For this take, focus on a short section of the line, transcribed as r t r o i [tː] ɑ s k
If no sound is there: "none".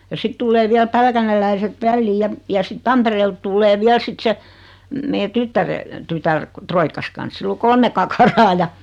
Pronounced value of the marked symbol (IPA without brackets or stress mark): kː